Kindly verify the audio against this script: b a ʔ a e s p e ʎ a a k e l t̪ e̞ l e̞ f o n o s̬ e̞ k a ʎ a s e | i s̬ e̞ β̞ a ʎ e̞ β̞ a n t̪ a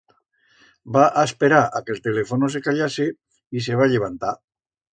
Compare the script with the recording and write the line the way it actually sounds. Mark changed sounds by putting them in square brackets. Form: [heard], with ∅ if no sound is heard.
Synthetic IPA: b a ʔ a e s p e [ɾ] a a k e l t̪ e̞ l e̞ f o n o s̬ e̞ k a ʎ a s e | i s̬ e̞ β̞ a ʎ e̞ β̞ a n t̪ a